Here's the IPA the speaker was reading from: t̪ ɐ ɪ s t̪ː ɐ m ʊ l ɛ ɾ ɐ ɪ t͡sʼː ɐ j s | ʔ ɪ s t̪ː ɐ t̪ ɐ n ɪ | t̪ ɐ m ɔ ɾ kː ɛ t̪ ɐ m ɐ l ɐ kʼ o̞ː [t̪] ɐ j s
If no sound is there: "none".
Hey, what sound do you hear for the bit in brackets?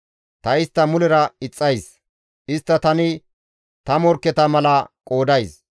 d̪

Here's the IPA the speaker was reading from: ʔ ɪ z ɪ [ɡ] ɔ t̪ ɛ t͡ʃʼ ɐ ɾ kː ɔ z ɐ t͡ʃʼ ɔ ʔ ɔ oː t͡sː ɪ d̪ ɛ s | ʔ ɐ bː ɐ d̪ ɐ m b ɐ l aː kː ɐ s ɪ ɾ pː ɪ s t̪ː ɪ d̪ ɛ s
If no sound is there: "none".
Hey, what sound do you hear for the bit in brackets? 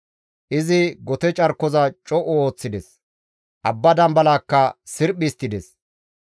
ɡ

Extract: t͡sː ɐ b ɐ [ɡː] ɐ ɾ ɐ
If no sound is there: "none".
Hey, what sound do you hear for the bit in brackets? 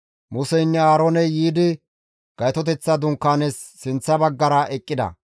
ɡː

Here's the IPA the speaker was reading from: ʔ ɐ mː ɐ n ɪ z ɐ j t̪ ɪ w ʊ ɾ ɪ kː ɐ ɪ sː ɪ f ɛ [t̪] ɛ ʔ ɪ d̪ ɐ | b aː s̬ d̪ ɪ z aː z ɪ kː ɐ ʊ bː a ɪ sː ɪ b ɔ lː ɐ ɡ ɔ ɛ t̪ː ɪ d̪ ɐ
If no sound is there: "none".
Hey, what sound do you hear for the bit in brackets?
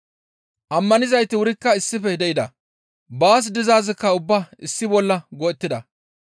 d̪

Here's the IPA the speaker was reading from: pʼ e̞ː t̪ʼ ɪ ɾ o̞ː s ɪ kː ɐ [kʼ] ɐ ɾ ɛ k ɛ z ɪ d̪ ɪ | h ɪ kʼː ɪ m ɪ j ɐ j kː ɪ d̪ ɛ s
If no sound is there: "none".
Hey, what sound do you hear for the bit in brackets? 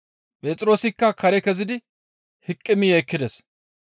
k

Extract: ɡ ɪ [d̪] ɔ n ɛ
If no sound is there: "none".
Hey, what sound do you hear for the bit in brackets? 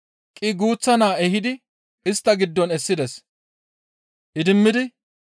d̪ː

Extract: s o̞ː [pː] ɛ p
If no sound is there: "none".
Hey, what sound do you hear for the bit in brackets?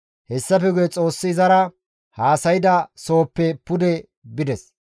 pː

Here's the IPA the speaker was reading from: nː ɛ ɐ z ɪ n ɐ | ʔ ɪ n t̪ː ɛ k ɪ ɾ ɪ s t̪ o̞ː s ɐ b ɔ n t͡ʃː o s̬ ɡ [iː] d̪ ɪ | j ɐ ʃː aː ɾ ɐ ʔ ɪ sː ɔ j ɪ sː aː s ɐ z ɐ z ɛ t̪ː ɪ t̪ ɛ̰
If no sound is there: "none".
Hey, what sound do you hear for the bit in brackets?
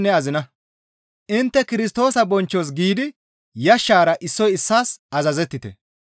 iː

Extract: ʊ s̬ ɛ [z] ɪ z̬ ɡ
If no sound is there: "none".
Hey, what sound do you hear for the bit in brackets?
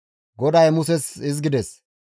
s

